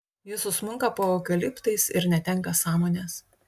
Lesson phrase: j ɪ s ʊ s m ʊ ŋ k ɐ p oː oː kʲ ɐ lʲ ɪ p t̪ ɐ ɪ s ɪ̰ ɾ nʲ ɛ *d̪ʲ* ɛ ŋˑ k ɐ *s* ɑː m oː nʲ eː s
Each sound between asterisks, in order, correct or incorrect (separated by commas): incorrect, correct